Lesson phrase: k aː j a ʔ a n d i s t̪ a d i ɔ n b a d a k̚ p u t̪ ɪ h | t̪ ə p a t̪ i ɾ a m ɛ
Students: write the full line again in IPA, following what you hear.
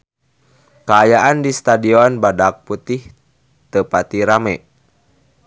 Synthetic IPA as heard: k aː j a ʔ a n d i s t̪ a d i ɔ n b a d a k̚ p u t̪ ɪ h | t̪ ə p a t̪ i ɾ a m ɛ